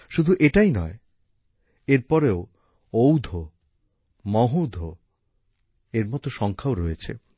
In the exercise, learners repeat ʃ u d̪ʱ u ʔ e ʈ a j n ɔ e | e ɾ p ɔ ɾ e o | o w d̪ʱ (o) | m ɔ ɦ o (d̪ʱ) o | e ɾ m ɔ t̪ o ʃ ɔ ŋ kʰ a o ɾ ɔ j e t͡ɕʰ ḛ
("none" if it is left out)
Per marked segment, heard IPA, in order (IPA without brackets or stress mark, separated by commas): o, d̪ʱ